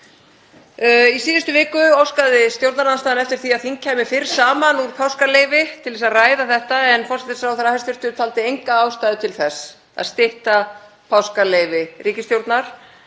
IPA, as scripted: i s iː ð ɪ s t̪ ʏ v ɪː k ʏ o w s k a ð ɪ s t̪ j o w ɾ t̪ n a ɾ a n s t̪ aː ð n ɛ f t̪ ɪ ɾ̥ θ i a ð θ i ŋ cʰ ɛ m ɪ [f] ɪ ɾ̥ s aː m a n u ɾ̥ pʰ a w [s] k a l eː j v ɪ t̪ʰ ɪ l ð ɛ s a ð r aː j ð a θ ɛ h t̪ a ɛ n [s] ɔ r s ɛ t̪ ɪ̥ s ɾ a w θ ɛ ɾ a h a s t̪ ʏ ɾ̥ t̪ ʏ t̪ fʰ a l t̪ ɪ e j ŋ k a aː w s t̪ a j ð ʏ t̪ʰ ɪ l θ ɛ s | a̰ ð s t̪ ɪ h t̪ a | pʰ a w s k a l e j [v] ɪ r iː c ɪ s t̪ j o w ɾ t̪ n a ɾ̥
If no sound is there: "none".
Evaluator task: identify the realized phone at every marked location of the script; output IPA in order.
f, s, f, v

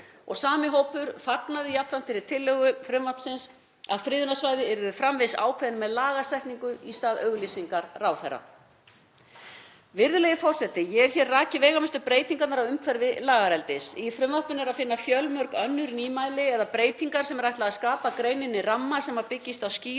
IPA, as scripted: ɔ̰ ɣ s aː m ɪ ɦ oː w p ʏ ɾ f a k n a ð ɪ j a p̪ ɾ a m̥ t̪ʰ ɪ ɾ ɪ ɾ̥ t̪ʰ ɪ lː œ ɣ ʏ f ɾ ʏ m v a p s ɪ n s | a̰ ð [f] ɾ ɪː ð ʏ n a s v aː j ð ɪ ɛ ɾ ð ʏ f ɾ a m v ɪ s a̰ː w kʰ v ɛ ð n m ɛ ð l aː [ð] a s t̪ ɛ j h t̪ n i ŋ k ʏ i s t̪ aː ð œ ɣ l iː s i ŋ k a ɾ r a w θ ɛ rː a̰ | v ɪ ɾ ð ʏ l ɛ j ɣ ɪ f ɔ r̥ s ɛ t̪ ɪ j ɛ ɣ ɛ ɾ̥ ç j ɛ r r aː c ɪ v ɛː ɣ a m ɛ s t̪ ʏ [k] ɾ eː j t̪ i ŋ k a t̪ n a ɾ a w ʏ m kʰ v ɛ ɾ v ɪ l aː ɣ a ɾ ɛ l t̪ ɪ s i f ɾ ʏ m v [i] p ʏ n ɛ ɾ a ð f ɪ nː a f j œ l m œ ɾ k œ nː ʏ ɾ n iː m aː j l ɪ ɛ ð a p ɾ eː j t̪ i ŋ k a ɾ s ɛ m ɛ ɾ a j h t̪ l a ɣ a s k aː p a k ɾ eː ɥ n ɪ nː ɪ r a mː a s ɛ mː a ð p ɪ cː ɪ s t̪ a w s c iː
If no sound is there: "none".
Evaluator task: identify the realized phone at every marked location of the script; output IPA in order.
f, ɣ, p, a

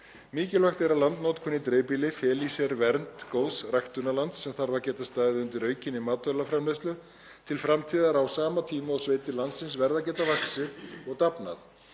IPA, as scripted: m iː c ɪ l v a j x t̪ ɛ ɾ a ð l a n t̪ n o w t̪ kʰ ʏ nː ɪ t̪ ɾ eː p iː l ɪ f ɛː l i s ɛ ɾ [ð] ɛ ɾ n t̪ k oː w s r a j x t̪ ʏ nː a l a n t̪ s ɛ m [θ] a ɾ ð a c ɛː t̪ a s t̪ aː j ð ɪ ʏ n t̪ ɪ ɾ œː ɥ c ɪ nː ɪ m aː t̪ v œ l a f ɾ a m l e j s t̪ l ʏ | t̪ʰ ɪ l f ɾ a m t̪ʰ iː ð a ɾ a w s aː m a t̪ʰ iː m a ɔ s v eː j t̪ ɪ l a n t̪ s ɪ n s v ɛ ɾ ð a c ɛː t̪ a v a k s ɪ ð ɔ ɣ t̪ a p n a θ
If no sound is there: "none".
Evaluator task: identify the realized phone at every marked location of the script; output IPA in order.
v, θ

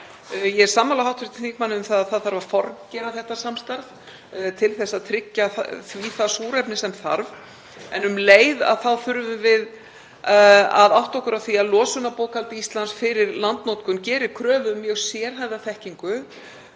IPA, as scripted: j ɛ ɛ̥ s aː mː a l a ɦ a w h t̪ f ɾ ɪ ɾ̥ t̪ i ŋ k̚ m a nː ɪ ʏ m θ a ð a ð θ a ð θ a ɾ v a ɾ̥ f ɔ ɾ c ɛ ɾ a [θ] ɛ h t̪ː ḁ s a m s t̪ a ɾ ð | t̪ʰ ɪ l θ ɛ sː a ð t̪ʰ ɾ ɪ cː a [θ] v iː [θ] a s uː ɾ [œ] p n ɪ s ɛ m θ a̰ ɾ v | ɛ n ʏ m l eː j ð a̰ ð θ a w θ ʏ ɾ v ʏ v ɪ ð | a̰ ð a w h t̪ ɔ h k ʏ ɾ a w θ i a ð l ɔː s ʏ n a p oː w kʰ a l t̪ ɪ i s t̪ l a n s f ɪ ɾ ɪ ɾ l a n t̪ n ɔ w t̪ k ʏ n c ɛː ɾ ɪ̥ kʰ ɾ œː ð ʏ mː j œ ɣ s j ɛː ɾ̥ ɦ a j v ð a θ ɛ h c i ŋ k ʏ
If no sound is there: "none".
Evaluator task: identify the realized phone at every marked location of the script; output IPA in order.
θ, θ, θ, ɛ

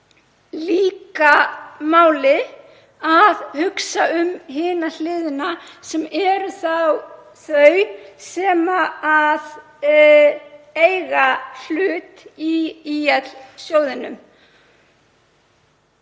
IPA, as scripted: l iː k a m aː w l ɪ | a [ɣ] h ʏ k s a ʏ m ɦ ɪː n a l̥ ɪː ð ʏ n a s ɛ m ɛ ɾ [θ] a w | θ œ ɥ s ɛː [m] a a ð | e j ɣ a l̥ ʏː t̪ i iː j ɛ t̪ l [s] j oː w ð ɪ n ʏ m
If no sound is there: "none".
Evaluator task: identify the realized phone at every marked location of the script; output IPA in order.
ð, θ, m, s

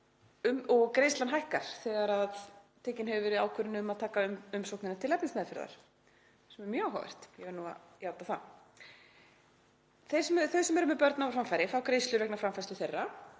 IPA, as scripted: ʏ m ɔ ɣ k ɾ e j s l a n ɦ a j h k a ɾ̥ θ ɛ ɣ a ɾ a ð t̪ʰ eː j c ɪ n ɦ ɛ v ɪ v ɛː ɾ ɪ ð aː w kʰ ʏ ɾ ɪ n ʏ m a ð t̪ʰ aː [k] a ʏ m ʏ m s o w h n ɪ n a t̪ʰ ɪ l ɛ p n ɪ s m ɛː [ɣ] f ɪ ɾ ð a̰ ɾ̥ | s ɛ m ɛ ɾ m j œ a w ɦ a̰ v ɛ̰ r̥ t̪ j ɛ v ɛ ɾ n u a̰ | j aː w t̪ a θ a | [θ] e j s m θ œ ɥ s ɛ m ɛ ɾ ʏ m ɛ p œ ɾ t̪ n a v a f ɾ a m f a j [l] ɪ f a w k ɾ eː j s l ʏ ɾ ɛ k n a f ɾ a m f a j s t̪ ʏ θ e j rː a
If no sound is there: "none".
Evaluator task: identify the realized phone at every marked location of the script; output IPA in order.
k, ð, θ, ɾ

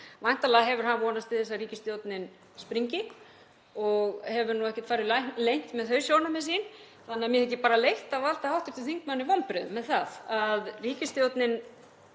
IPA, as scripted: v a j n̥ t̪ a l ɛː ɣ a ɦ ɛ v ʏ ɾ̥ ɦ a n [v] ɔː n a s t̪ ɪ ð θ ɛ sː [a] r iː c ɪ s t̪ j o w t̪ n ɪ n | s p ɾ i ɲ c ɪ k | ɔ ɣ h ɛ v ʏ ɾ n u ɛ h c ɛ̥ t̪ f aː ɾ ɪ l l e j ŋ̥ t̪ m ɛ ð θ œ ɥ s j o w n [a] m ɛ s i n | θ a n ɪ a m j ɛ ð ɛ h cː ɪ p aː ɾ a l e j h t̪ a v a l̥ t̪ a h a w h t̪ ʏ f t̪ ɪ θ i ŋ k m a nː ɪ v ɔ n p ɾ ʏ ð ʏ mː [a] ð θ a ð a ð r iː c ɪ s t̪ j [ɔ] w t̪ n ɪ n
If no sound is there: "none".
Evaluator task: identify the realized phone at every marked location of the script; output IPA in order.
v, a, a, ɛ, o

